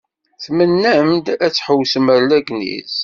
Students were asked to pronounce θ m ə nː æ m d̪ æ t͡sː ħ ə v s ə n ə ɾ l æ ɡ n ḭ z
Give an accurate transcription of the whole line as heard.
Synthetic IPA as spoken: θ m ə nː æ m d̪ æ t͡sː ħ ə w s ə m ə ɾ l æ ɡ n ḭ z